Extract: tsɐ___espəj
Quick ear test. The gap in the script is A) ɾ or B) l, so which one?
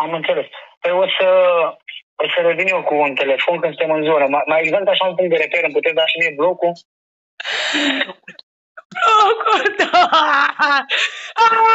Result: B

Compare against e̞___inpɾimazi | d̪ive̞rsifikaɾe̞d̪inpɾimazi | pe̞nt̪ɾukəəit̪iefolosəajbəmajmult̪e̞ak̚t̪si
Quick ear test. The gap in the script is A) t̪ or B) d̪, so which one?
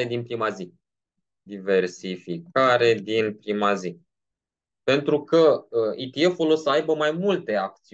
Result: B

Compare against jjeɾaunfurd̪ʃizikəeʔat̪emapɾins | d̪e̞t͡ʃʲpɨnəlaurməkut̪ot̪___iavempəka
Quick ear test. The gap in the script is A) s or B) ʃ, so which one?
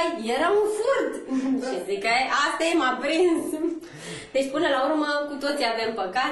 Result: A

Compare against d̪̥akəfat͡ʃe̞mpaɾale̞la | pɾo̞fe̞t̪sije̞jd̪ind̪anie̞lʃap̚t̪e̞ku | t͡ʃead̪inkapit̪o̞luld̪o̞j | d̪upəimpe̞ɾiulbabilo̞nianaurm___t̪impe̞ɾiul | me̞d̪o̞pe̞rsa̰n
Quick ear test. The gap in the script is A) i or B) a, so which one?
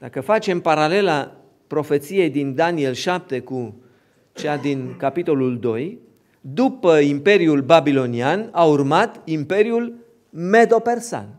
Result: B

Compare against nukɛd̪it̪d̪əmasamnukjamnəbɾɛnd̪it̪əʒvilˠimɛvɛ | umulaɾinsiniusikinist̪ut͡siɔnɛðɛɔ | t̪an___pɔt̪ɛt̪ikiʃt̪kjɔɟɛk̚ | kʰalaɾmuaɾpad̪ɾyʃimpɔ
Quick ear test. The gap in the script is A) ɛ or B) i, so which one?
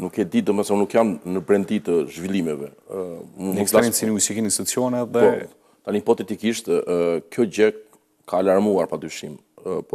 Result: B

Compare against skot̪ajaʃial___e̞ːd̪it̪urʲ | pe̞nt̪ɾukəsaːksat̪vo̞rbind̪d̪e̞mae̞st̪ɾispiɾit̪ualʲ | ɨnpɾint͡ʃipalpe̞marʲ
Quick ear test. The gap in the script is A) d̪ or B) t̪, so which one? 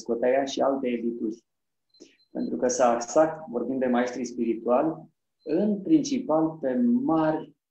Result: B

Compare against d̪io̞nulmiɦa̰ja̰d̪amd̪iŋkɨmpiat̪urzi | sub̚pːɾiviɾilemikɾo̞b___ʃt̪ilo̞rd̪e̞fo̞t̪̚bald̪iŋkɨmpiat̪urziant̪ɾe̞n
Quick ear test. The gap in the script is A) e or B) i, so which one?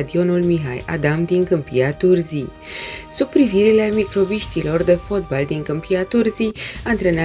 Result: B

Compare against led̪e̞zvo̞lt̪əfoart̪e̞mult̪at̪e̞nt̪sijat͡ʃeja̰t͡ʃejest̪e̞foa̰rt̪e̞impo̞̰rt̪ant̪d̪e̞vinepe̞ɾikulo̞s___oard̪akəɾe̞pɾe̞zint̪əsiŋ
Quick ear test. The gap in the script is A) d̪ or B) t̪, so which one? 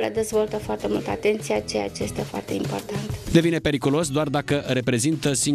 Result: A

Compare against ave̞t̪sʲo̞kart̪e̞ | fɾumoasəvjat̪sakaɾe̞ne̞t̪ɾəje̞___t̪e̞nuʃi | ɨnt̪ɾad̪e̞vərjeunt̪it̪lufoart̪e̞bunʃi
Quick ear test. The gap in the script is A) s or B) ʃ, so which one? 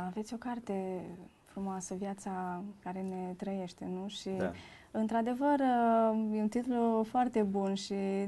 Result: B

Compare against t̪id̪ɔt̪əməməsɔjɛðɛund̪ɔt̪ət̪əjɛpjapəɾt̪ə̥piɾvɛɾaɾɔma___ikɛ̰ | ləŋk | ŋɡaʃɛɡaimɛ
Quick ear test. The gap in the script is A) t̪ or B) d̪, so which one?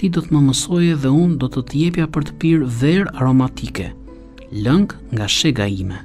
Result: A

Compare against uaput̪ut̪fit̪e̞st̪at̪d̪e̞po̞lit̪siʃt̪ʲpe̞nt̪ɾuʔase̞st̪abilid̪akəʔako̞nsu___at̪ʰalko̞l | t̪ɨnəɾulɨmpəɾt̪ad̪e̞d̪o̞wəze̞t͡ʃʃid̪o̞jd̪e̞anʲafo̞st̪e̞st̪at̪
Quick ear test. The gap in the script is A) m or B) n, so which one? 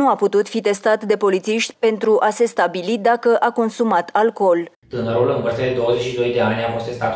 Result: A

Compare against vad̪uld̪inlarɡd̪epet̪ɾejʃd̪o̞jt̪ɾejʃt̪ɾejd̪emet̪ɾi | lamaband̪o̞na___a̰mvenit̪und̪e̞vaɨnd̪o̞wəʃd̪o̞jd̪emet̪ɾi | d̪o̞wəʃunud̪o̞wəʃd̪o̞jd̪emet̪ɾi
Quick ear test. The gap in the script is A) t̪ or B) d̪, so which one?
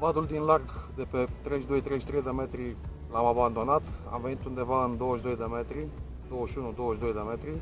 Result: A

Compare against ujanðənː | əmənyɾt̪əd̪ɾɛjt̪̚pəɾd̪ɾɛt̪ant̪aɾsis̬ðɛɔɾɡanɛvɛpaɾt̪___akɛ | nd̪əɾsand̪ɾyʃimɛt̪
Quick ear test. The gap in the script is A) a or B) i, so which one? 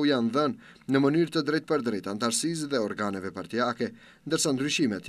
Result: B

